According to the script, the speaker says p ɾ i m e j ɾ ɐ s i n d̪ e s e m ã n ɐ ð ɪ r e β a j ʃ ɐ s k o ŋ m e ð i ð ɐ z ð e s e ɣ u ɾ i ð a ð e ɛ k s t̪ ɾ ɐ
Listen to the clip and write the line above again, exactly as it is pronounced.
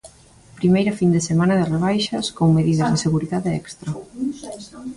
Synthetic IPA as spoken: p ɾ i m e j ɾ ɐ f i n d̪ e s e m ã n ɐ ð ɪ r e β a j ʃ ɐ s k o ŋ m e ð i ð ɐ z ð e s e ɣ u ɾ i ð a ð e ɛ k s t̪ ɾ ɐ